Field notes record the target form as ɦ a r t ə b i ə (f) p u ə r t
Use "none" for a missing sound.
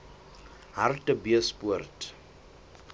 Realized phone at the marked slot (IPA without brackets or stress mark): s